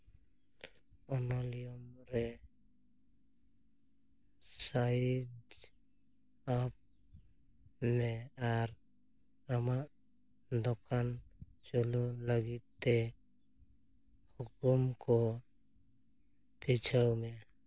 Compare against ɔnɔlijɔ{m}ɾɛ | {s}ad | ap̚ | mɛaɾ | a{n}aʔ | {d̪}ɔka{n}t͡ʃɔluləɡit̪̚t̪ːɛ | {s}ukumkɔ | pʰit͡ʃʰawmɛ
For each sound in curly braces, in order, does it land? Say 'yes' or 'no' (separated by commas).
yes, yes, no, yes, yes, no